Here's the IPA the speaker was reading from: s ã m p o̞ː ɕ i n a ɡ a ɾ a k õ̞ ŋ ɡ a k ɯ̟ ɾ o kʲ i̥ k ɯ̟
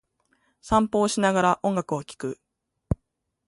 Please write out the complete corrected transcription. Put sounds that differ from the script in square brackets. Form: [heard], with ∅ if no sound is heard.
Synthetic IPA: s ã m p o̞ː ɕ i n a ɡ a ɾ a [ʔ] õ̞ ŋ ɡ a k ɯ̟ [∅] o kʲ i̥ k ɯ̟